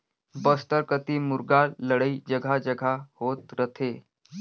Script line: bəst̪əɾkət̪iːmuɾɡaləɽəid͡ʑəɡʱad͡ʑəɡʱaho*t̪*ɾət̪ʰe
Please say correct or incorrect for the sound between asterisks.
correct